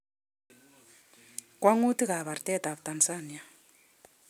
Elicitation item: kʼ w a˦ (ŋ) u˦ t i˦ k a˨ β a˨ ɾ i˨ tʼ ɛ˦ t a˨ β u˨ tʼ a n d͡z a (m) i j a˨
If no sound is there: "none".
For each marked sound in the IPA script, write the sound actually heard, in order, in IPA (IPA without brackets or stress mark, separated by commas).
ŋ, n